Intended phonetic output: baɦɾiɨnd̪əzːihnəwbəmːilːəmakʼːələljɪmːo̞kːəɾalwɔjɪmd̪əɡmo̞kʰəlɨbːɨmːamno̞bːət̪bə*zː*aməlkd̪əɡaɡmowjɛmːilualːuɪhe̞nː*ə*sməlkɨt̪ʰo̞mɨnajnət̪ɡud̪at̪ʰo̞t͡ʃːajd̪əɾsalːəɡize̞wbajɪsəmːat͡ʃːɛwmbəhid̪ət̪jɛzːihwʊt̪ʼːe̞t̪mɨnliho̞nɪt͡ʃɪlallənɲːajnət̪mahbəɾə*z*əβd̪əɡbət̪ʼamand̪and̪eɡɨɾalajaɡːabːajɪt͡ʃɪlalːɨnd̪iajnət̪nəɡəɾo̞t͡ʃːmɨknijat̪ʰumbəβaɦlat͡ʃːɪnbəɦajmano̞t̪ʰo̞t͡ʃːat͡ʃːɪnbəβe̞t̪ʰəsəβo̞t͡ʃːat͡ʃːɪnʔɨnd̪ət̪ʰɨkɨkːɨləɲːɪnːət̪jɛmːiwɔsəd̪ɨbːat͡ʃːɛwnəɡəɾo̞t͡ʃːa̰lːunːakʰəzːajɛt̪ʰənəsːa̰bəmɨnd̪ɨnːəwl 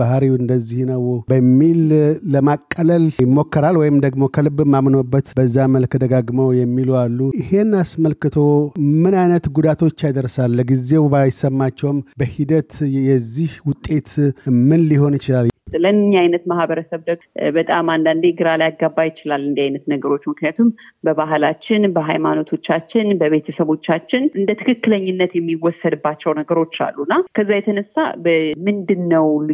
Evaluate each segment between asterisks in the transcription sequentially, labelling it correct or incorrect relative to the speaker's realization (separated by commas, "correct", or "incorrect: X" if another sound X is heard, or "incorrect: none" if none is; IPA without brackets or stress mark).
correct, incorrect: a, incorrect: s